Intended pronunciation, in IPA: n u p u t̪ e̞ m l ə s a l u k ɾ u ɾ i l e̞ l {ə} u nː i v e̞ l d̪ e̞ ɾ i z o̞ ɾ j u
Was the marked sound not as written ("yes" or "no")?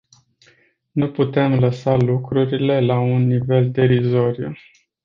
yes